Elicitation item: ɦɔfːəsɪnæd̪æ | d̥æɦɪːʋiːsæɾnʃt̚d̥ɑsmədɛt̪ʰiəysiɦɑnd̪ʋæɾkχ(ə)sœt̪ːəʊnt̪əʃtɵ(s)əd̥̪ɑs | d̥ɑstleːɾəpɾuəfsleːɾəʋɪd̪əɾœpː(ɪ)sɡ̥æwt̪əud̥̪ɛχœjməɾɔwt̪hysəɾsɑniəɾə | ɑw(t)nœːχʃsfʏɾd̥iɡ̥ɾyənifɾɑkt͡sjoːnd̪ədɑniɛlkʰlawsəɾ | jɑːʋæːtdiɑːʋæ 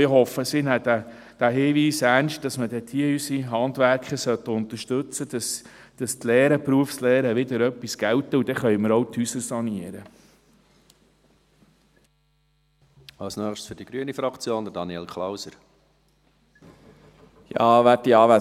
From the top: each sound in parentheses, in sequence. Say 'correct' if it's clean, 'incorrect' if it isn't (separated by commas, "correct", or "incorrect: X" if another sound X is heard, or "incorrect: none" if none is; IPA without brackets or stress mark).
correct, incorrect: t͡s, incorrect: i, incorrect: s